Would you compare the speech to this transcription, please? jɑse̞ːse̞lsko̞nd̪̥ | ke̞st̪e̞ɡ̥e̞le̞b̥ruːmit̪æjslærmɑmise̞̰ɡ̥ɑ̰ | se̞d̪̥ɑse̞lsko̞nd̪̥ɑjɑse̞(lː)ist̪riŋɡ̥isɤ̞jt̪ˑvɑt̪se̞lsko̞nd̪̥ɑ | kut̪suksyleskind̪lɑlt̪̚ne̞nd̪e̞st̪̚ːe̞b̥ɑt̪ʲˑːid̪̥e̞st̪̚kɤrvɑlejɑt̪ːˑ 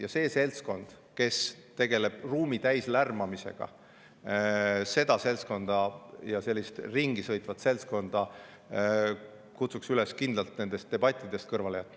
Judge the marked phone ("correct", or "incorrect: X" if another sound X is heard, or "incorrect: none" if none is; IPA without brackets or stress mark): correct